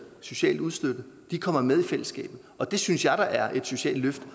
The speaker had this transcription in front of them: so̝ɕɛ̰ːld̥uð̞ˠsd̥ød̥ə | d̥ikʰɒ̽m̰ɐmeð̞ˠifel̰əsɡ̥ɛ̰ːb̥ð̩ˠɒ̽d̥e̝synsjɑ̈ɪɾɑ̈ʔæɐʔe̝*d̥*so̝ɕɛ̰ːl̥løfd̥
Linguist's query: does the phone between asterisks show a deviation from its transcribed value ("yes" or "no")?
no